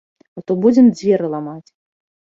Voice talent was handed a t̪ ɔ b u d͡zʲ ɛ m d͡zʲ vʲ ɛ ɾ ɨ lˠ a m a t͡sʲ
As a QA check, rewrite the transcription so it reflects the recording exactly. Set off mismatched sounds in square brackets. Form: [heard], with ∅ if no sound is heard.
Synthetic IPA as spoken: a t̪ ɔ b u d͡zʲ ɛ m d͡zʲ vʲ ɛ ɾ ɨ lˠ a m a t͡sʲ